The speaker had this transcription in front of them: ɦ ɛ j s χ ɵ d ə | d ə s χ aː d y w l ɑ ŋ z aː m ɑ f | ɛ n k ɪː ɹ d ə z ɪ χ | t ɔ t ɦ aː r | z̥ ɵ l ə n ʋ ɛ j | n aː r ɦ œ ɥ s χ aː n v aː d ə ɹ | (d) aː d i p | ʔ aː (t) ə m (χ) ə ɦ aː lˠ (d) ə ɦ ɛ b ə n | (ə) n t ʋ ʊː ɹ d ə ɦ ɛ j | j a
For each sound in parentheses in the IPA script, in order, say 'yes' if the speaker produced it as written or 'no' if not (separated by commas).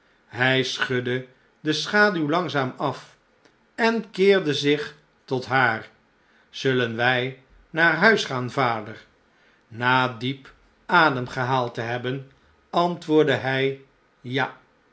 no, no, yes, no, no